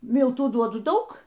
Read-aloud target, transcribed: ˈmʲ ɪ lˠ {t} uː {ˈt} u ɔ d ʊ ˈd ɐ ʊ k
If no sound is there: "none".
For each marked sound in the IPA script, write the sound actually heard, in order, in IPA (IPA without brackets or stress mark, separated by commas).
t, d